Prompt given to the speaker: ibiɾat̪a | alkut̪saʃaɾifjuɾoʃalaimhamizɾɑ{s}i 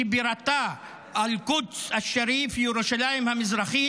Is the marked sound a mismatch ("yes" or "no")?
yes